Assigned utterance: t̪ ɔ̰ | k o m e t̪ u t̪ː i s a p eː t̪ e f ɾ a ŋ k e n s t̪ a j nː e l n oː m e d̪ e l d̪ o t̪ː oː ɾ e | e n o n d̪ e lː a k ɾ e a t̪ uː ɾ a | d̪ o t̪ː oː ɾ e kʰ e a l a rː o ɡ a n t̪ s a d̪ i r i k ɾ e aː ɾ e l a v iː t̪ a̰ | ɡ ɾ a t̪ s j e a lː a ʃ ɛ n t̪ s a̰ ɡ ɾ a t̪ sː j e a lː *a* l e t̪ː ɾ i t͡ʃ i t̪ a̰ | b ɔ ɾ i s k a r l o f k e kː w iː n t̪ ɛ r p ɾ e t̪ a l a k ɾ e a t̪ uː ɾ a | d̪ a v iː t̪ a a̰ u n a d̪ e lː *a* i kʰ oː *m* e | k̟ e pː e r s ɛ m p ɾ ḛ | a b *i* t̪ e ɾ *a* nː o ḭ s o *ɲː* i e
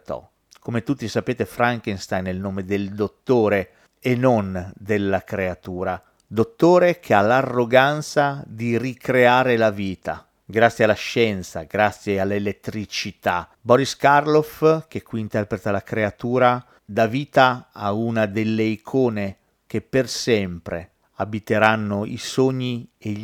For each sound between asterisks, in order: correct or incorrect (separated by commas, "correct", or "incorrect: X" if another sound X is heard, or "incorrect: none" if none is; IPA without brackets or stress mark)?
incorrect: e, incorrect: e, incorrect: n, correct, correct, correct